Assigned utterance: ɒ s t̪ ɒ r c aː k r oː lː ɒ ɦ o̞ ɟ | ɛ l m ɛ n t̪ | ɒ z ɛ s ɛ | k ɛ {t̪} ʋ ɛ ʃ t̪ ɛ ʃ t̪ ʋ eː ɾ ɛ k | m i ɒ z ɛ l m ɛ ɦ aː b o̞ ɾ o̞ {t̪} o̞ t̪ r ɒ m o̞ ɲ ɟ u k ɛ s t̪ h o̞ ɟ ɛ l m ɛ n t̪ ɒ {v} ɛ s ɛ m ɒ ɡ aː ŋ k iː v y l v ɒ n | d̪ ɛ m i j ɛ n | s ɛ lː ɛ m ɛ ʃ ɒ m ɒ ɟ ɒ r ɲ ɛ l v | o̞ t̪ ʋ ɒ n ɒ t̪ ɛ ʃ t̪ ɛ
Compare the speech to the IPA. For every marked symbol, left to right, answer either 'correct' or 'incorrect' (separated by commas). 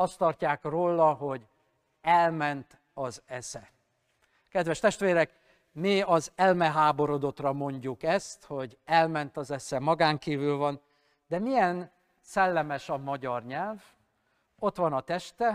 incorrect, incorrect, incorrect